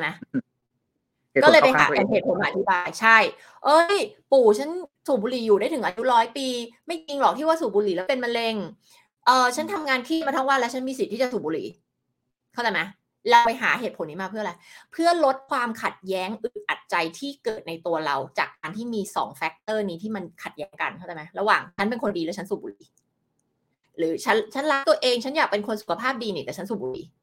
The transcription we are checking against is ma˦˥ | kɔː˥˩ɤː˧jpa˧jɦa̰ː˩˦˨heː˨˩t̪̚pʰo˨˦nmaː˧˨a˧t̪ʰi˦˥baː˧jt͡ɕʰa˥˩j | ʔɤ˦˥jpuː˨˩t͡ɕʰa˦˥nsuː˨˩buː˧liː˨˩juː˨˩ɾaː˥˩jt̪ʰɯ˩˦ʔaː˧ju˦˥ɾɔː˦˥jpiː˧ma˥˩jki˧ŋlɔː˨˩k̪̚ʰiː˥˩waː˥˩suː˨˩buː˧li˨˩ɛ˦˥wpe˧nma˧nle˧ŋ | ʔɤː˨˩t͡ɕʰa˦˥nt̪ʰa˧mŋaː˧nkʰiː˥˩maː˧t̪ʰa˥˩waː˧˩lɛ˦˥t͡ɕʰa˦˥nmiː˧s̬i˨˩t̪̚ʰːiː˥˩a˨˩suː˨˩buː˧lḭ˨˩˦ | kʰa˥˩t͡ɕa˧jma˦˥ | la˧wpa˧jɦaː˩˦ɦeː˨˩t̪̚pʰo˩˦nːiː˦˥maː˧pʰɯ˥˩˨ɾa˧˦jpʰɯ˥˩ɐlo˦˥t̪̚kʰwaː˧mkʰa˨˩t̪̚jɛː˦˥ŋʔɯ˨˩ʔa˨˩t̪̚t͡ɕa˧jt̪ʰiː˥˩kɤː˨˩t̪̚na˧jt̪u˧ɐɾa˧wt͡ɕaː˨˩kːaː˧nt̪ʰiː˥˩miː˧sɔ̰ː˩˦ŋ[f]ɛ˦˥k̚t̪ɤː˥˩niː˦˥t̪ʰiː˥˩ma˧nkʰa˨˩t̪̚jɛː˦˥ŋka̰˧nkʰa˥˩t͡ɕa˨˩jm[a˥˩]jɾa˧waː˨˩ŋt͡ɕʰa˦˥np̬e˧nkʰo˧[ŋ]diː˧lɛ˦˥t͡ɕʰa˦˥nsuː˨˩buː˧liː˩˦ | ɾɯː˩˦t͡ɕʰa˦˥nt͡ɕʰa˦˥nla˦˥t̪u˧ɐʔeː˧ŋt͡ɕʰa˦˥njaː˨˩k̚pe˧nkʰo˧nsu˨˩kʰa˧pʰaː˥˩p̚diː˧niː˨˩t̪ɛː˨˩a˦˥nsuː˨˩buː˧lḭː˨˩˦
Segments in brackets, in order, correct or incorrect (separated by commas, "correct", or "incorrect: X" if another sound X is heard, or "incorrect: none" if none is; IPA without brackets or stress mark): correct, incorrect: a˦˥, incorrect: n